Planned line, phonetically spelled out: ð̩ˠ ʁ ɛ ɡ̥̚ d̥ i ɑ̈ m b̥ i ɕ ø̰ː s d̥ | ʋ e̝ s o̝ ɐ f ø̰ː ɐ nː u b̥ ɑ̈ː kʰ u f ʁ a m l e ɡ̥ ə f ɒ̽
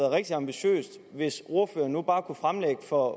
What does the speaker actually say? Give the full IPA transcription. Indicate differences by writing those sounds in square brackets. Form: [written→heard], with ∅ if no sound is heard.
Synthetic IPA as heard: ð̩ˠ ʁ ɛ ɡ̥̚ d̥ i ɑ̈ m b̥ i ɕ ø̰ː s d̥ | ʋ e̝ s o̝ ɐ f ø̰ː ɐ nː u b̥ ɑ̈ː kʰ u f ʁ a m l e ɡ̥ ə f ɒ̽

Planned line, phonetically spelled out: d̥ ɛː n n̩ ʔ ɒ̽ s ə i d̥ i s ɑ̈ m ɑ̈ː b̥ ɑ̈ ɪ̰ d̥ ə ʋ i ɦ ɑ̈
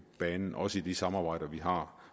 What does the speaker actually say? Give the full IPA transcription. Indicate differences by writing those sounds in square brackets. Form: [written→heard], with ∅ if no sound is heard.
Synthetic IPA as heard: [d̥→b̥] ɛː n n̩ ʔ ɒ̽ s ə i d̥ i s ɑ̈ m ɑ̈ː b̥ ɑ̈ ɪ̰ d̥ [ə→ɐ] ʋ i ɦ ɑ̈

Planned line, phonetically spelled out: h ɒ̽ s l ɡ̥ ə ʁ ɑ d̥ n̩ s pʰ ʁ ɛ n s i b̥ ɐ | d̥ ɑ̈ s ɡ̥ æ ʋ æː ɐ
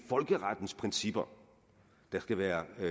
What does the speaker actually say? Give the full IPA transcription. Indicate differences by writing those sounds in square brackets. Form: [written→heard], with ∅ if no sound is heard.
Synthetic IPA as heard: [h→f] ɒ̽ [s→∅] l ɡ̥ ə ʁ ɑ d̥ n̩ s pʰ ʁ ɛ n s i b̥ ɐ | d̥ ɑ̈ s ɡ̥ æ ʋ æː ɐ

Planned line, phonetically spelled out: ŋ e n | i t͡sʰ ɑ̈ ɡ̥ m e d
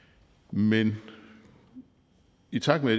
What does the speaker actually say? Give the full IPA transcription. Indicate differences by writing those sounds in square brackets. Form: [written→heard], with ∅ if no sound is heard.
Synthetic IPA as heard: [ŋ→m] e n | i t͡sʰ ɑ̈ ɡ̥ m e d

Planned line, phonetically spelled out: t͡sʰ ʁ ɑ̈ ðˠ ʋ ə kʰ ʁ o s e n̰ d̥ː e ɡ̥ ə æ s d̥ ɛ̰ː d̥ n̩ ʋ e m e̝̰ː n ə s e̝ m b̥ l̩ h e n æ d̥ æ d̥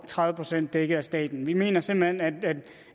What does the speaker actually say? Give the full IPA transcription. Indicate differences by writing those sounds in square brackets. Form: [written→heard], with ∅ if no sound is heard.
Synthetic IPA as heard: t͡sʰ ʁ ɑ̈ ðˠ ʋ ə [kʰ→pʰ] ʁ o s e n̰ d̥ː e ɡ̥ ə æ s d̥ ɛ̰ː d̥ n̩ ʋ [e→i] m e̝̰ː n [ə→ɐ] s e̝ m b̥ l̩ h e n æ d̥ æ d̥

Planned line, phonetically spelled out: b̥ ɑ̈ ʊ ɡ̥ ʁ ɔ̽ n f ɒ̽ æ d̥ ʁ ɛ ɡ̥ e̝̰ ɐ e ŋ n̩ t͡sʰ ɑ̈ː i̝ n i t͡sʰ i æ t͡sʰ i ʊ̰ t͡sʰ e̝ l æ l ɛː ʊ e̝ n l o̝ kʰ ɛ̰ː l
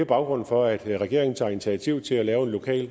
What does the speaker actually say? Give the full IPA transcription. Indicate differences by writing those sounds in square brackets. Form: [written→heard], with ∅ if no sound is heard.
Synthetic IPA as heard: b̥ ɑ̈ ʊ ɡ̥ ʁ ɔ̽ n f ɒ̽ æ d̥ ʁ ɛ ɡ̥ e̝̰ ɐ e ŋ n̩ t͡sʰ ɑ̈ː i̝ n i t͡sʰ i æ t͡sʰ i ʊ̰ t͡sʰ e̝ l æ l ɛː ʊ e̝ n l o̝ kʰ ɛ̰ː l

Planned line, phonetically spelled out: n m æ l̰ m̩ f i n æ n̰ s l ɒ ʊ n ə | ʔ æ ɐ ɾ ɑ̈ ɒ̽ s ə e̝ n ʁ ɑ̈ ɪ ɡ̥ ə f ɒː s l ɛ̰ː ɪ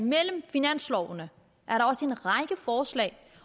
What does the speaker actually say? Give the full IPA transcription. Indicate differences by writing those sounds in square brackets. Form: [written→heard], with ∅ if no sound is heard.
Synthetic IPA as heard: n m [æ→e] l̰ m̩ f i n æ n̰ s l ɒ ʊ n ə | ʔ æ ɐ ɾ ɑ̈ ɒ̽ s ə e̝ n ʁ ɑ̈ ɪ ɡ̥ ə f ɒː s l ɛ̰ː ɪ

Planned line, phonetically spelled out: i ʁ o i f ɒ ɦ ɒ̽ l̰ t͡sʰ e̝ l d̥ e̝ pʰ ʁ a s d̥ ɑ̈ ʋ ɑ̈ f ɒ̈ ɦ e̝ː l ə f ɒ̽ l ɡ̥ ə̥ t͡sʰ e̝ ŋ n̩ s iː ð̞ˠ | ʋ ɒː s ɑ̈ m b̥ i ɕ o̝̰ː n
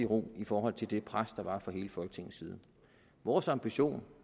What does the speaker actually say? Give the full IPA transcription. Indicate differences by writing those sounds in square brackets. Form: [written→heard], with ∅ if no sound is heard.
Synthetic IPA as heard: i ʁ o i f [ɒ→ɒː] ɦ ɒ̽ l̰ t͡sʰ e̝ l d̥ e̝ pʰ ʁ a s d̥ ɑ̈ ʋ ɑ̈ f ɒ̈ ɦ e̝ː l ə f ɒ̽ l ɡ̥ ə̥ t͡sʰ e̝ ŋ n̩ s iː ð̞ˠ | ʋ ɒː s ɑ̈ m b̥ i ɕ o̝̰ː n

